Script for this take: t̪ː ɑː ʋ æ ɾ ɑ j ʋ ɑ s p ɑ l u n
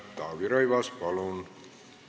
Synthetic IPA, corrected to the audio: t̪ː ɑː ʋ i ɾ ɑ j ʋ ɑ s p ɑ l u n